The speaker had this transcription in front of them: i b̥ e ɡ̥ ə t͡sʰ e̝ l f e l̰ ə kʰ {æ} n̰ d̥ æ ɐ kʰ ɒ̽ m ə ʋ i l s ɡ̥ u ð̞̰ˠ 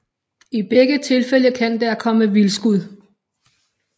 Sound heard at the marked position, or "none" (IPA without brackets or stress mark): æ